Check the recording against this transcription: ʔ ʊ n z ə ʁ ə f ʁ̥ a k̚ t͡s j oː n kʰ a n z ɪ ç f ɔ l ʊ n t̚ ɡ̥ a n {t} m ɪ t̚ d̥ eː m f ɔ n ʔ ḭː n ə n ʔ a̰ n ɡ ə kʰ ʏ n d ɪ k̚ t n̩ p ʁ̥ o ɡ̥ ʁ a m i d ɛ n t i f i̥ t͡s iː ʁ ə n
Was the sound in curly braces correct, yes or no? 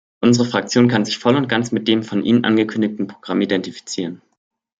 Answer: no